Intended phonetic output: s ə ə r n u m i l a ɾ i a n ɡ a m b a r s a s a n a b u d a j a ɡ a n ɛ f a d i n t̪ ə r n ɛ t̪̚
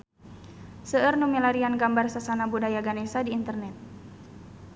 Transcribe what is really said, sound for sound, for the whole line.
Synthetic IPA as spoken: s ə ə r n u m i l a ɾ i a n ɡ a m b a r s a s a n a b u d a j a ɡ a n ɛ s a d iː n t̪ ə r n ɛ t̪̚